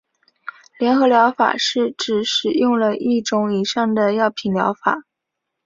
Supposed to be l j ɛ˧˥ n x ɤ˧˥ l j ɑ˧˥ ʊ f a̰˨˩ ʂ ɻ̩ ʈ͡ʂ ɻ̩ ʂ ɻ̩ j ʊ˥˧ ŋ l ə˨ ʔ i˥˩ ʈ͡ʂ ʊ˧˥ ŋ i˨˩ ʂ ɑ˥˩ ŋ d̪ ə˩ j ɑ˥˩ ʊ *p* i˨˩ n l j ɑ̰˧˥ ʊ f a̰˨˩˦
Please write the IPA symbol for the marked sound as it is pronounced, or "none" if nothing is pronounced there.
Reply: pʰ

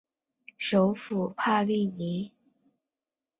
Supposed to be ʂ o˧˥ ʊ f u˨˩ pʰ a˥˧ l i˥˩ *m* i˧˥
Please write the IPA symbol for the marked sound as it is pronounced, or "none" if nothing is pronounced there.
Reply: n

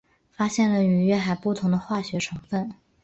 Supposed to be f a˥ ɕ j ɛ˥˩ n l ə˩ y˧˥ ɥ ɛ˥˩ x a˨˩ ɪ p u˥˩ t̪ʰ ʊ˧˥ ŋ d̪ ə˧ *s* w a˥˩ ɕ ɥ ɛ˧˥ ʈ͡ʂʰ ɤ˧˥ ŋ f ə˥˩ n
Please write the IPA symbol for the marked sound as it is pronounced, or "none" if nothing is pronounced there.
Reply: x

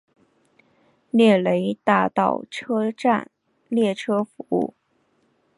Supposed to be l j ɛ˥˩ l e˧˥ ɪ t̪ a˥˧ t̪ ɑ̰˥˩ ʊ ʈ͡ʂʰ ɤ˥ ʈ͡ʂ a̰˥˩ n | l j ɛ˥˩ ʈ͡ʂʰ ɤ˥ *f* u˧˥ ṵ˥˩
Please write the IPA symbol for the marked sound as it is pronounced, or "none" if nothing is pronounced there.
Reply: f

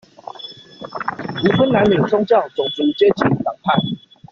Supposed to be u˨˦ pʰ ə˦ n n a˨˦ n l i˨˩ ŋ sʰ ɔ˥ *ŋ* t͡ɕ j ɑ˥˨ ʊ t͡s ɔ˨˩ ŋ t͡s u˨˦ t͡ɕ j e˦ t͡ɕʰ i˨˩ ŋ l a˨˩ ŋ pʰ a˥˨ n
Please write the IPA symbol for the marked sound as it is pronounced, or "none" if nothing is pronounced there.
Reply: ŋ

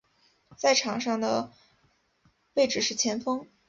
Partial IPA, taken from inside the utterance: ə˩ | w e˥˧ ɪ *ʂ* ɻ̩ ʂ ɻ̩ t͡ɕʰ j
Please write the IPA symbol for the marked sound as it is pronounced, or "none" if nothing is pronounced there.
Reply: ʈ͡ʂ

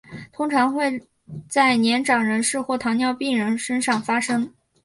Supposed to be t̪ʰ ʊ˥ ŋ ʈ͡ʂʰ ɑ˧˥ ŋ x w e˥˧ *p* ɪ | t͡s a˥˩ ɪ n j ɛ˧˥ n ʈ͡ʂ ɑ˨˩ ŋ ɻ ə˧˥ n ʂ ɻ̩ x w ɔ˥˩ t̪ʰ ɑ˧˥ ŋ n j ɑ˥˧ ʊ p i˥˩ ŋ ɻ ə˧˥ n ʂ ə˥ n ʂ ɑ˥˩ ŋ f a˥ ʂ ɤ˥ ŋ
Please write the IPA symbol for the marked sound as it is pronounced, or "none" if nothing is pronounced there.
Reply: none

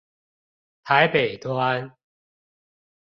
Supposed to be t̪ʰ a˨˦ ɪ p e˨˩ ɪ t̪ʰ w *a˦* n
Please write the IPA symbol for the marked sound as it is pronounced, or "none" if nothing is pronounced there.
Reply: a˦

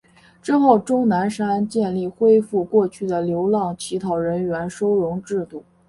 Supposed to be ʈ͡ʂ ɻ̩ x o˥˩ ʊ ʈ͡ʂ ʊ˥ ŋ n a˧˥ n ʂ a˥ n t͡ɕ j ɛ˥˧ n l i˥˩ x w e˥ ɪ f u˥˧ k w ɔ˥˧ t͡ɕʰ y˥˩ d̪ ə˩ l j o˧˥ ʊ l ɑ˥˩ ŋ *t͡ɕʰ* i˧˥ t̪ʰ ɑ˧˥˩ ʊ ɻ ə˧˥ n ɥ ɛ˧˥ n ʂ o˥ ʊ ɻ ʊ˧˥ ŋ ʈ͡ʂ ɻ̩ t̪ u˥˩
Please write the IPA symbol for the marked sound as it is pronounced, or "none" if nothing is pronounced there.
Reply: t͡ɕʰ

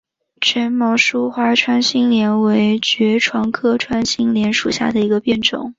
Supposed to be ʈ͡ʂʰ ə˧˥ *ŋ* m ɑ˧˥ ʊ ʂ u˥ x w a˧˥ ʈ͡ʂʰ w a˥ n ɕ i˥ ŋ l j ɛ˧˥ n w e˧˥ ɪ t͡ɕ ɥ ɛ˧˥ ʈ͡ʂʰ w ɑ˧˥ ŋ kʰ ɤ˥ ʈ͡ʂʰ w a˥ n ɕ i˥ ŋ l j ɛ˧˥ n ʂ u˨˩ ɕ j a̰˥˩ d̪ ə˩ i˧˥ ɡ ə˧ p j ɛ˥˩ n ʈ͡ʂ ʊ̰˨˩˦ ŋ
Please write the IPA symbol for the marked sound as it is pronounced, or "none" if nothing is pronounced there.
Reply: n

